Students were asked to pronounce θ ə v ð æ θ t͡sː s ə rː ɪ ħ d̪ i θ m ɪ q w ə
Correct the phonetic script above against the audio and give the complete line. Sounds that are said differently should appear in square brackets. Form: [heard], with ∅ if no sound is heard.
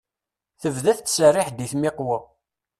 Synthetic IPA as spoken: θ ə v ð æ θ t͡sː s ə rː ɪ ħ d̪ i θ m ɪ q w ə